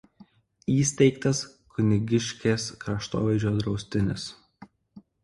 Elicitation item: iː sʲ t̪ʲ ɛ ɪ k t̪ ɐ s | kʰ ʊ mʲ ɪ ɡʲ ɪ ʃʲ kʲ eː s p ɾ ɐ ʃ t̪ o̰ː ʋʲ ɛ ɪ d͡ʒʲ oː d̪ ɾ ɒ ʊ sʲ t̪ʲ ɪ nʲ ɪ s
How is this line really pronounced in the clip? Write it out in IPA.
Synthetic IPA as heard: iː sʲ t̪ʲ ɛ ɪ k t̪ ɐ s | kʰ ʊ nʲ ɪ ɡʲ ɪ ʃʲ kʲ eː s k ɾ ɐ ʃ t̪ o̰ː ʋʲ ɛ ɪ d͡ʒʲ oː d̪ ɾ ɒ ʊ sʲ t̪ʲ ɪ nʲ ɪ s